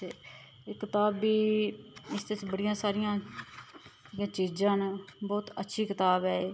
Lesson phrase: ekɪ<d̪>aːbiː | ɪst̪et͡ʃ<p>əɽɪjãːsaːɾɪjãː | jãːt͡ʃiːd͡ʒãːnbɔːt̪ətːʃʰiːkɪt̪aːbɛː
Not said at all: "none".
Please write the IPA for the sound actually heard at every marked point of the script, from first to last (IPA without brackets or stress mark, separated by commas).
t̪, b